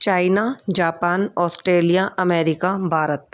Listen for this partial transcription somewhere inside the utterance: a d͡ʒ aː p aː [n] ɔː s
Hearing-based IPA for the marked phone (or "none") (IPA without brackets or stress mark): n